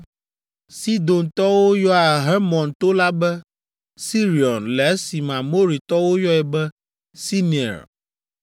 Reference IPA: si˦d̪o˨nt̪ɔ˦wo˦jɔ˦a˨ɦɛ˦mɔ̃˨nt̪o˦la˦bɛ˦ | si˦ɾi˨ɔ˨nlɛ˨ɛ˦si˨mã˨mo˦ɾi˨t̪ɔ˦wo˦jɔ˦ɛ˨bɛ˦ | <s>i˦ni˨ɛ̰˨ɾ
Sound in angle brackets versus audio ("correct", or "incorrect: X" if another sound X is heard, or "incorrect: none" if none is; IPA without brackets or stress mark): correct